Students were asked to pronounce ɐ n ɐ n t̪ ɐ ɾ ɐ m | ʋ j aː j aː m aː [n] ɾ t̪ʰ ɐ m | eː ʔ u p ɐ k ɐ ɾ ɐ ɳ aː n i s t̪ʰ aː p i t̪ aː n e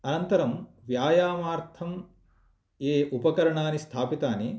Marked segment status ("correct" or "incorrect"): incorrect